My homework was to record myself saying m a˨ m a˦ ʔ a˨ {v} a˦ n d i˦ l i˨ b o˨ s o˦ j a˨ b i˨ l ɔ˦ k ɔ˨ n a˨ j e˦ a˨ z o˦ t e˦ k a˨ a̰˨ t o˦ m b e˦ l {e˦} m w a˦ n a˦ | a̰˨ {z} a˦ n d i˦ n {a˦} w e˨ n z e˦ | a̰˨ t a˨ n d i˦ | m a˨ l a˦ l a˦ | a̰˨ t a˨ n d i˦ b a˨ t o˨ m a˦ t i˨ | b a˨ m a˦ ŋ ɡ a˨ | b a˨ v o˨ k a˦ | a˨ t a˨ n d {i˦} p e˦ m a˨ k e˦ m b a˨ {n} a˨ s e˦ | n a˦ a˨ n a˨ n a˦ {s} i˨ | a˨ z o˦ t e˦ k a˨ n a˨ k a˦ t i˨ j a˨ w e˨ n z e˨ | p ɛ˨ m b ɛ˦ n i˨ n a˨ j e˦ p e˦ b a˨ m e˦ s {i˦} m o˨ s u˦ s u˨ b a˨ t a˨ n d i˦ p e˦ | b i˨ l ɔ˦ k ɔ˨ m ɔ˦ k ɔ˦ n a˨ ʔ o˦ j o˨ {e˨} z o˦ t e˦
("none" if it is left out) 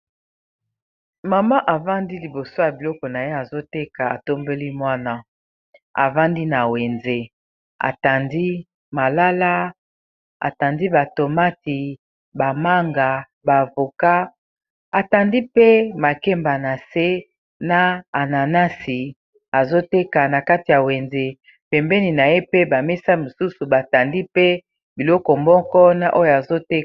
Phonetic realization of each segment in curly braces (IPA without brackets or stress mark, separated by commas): v, i˦, v, a˨, i˦, n, s, a˦, a˨